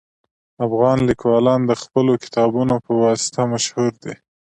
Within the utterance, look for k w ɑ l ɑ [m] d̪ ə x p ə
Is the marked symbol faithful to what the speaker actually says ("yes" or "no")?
no